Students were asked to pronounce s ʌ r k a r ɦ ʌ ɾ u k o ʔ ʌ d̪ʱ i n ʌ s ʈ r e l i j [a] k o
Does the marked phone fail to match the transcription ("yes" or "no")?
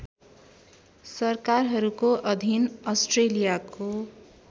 no